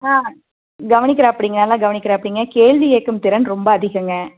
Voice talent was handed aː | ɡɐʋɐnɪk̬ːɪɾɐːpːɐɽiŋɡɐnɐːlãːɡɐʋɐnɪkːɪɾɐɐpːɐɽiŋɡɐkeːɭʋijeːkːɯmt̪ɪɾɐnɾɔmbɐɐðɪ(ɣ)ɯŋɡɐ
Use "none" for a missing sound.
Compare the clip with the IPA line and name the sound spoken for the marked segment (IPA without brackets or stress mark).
ɣ